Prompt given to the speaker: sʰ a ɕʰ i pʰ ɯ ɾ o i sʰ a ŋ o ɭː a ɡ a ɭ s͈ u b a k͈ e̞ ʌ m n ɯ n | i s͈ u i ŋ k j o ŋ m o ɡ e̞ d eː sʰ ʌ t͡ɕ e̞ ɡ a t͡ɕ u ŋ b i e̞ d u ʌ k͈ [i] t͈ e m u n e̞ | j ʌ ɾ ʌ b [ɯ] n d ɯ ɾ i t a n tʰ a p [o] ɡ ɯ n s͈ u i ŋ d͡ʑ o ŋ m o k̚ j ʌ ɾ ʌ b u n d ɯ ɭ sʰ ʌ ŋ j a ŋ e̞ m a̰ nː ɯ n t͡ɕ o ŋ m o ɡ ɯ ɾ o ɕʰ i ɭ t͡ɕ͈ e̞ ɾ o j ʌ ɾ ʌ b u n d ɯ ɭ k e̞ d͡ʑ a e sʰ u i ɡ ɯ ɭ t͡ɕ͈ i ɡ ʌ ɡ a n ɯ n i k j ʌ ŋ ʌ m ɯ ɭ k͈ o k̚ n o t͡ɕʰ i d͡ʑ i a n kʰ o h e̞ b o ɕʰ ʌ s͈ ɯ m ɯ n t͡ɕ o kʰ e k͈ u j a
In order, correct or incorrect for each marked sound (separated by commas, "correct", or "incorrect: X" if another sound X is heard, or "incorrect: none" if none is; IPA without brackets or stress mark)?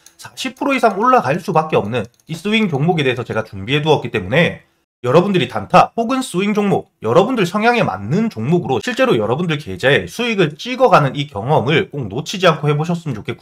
correct, incorrect: u, correct